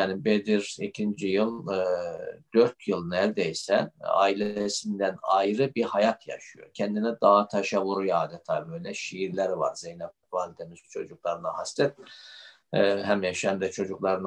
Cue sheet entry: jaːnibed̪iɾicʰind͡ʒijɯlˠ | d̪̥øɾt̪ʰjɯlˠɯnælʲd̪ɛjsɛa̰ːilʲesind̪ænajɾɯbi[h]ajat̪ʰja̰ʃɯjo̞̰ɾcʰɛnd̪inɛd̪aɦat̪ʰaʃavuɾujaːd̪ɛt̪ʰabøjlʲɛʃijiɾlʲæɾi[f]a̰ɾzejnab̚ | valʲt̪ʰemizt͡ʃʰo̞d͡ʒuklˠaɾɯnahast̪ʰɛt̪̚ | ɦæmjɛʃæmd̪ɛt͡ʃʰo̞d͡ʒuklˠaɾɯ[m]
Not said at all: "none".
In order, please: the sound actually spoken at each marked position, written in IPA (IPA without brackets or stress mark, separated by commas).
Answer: h, v, n